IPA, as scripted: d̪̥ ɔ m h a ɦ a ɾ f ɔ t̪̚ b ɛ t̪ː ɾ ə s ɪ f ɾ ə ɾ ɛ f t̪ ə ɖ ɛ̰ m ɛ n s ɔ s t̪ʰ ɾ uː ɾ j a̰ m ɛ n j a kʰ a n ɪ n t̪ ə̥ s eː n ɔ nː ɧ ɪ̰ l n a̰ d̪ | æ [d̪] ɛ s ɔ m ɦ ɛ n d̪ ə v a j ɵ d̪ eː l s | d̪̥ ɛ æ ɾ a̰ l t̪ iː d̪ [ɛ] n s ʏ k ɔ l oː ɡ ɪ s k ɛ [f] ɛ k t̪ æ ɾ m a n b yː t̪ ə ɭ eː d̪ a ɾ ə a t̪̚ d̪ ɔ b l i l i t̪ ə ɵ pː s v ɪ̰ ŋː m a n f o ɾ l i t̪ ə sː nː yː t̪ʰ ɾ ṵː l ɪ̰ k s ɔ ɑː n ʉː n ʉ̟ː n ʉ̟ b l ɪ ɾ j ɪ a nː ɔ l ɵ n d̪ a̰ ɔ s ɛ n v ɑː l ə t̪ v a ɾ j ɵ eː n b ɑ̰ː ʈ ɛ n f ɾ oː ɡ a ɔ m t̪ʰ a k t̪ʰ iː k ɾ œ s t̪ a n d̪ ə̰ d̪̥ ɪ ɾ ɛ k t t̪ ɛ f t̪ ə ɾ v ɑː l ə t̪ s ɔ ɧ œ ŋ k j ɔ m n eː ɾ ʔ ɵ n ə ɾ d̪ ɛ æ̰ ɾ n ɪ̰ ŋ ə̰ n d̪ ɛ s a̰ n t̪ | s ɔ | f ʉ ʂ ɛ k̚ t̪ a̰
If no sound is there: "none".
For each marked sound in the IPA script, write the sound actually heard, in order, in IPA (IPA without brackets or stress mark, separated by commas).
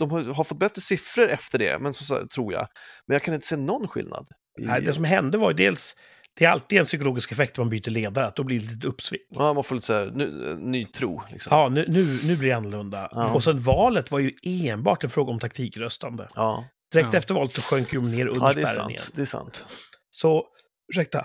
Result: d̪, ɛ, f